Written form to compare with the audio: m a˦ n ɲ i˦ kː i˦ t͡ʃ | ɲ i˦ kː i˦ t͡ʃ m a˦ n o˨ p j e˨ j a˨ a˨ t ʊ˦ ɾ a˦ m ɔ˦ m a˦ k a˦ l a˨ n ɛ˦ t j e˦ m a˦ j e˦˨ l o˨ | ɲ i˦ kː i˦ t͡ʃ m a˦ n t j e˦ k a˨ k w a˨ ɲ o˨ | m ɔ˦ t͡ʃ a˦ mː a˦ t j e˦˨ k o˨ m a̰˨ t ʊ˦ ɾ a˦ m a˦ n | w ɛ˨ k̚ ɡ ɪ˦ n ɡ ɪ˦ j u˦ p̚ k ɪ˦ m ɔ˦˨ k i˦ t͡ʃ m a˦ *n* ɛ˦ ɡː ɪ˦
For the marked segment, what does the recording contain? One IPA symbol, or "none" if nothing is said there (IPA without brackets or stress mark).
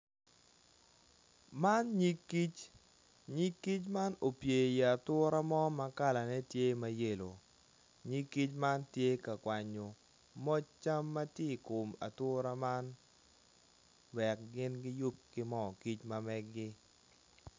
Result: m